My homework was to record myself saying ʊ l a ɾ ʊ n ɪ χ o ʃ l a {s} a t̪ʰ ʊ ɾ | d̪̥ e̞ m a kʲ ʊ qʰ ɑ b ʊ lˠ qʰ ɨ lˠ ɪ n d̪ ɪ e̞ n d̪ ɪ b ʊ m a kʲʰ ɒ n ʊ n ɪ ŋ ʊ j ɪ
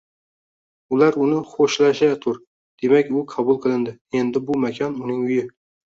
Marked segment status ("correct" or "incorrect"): incorrect